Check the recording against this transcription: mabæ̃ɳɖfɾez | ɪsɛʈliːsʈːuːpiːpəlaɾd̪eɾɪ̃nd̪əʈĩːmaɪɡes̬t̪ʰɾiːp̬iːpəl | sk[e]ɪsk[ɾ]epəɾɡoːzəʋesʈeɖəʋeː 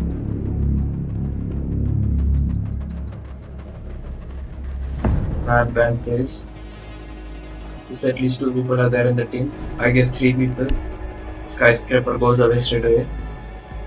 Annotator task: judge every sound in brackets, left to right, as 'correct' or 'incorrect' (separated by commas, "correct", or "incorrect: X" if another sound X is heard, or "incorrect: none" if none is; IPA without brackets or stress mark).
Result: incorrect: a, correct